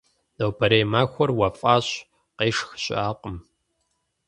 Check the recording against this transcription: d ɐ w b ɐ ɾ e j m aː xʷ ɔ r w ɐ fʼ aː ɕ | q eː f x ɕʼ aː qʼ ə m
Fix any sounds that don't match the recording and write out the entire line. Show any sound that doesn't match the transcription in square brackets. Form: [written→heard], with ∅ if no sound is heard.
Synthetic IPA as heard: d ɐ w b ɐ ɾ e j m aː xʷ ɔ r w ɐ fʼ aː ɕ | q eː [f→ʂ] x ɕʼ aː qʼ ə m